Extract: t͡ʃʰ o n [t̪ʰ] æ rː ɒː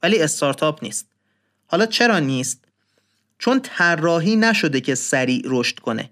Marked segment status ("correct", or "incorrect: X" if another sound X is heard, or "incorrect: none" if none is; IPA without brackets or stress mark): correct